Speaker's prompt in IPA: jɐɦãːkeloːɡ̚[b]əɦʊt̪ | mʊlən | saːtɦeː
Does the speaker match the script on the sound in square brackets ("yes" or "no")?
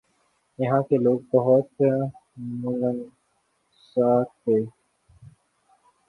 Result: yes